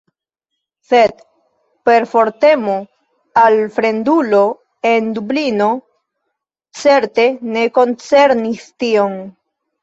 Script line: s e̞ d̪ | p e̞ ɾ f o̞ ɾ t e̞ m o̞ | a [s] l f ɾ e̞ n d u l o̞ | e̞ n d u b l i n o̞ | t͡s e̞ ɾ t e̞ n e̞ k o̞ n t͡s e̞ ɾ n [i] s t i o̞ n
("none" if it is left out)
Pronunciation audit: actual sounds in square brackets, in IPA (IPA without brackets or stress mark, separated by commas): none, i